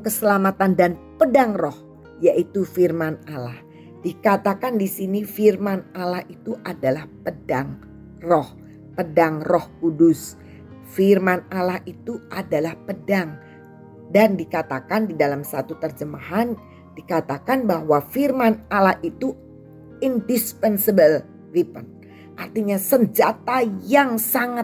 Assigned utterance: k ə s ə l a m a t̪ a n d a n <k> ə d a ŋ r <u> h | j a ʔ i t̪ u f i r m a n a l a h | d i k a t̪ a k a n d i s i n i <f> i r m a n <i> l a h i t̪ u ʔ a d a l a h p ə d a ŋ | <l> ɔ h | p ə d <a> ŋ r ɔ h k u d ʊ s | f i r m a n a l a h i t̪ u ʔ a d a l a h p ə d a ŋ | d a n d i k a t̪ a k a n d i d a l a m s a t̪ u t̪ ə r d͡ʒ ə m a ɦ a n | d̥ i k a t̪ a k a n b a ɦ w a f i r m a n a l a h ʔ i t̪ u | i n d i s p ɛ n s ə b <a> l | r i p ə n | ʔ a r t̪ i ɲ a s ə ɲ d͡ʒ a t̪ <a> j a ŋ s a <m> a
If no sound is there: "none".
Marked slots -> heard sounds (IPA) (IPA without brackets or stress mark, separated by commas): p, ɔ, f, a, r, a, ə, a, ŋ